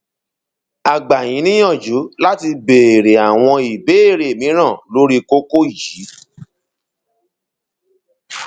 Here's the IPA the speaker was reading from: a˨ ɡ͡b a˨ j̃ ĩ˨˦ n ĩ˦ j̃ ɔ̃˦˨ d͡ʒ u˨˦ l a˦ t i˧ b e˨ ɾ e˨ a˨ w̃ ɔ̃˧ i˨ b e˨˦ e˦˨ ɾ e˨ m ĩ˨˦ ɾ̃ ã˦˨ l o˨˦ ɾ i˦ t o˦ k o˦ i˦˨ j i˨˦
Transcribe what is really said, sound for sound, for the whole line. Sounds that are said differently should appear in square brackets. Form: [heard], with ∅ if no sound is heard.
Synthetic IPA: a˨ ɡ͡b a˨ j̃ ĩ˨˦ n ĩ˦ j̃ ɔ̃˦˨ d͡ʒ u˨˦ l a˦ t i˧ b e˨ ɾ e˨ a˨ w̃ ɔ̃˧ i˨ b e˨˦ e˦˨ ɾ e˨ m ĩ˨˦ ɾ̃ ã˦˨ l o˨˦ ɾ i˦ [k] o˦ k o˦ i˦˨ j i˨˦